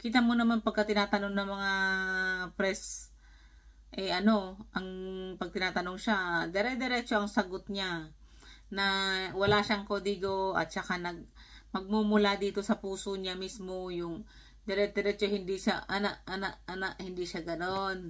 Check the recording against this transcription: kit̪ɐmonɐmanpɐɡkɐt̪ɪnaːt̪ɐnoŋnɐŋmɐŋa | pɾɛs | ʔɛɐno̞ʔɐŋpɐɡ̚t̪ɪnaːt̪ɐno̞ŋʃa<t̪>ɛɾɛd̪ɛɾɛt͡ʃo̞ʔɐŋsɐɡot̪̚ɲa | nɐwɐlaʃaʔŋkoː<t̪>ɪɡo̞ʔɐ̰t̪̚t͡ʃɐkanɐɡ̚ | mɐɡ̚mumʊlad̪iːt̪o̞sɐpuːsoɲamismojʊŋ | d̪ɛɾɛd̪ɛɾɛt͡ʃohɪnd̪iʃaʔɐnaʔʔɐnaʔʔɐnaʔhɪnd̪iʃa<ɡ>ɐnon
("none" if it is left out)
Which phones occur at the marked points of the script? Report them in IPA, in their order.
d̪, d̪, ɡ

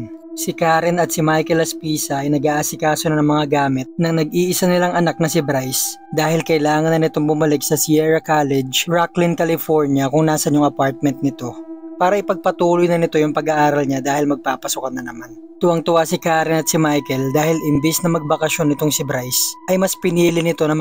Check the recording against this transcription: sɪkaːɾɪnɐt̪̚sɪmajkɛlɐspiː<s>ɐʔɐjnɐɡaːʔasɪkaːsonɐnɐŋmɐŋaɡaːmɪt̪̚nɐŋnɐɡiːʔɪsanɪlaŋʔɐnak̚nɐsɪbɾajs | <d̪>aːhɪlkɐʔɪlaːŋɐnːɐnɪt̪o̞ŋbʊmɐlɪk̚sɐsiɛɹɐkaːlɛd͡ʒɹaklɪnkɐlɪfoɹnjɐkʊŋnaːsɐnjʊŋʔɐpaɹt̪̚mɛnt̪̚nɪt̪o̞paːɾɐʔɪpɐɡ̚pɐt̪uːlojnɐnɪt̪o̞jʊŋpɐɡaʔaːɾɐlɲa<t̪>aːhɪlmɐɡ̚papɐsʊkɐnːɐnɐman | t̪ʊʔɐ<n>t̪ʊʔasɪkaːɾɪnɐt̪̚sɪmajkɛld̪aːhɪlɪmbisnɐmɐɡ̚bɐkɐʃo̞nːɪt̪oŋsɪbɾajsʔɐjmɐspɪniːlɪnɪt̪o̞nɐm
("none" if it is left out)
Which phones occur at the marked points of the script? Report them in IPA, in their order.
s, d̪, d̪, ŋ

